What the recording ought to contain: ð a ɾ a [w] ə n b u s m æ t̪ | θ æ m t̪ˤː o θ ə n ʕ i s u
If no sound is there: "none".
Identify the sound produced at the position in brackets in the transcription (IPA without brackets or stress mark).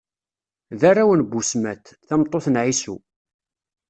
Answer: w